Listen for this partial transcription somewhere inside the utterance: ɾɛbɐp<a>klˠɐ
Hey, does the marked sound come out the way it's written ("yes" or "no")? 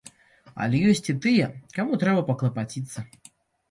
no